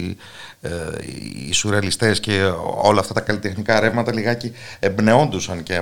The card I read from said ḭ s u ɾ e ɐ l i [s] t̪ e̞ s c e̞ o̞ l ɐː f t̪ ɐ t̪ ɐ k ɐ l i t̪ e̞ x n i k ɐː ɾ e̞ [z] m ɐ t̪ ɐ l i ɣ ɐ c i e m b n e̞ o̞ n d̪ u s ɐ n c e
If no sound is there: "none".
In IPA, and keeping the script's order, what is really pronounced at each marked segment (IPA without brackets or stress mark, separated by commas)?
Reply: s, v